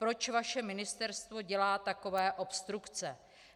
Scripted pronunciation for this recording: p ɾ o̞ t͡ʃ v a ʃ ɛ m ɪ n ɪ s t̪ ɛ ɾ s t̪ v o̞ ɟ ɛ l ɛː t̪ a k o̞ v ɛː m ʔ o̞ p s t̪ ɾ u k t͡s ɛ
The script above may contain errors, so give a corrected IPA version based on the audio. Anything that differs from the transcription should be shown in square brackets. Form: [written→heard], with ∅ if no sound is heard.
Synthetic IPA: p ɾ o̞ t͡ʃ v a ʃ ɛ m ɪ n ɪ s t̪ ɛ ɾ s t̪ v o̞ ɟ ɛ l [ɛː→aː] t̪ a k o̞ v ɛː [m→∅] ʔ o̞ p s t̪ ɾ u k t͡s ɛ